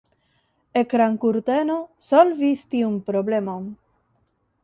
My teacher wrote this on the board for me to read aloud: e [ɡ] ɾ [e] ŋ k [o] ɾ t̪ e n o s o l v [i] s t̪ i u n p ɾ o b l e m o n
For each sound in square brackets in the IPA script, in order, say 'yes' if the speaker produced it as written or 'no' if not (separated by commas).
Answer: no, no, no, yes